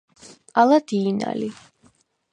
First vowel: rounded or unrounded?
unrounded